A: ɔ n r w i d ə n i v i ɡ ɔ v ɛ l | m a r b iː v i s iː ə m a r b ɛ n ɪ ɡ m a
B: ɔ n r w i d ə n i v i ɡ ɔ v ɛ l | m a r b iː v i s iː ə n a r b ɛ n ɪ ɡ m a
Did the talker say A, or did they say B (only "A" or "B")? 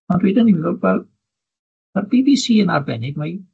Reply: B